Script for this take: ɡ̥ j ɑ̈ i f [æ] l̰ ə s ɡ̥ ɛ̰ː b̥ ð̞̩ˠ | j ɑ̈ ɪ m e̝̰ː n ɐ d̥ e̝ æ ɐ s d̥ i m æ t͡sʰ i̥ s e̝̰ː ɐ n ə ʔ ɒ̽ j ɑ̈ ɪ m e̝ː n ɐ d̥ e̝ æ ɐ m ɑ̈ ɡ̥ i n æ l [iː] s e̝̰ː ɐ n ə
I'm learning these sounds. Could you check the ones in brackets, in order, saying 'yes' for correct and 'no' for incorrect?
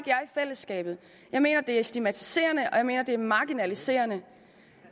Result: no, no

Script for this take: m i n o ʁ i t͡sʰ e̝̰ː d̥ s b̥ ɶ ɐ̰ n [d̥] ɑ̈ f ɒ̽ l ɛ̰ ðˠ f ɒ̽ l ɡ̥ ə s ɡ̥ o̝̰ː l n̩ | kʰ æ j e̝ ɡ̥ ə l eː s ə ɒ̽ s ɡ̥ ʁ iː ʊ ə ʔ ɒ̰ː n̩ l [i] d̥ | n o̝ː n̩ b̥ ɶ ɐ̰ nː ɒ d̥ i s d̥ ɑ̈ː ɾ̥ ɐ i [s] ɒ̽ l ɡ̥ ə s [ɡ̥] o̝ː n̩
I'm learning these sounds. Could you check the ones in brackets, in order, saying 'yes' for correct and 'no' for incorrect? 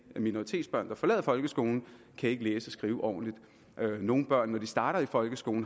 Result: yes, yes, no, yes

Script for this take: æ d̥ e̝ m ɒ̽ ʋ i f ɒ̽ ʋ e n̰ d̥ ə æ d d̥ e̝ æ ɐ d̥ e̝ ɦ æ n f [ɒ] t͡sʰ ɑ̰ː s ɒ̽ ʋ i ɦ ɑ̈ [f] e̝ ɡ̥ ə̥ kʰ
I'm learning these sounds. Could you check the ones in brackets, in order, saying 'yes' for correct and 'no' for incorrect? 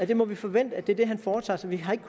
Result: no, no

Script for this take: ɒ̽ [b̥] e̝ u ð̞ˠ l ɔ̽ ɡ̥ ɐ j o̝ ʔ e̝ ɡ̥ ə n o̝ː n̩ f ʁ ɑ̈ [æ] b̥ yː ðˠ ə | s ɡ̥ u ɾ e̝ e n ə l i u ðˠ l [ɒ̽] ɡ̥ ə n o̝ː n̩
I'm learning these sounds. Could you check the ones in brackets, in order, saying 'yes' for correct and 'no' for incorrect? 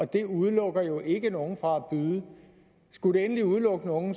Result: no, yes, no

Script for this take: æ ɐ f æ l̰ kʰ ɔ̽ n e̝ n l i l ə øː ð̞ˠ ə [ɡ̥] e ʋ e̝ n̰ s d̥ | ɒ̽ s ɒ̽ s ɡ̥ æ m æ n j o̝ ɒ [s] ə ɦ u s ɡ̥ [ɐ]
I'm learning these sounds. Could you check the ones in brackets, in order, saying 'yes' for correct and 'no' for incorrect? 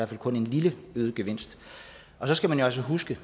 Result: yes, yes, no

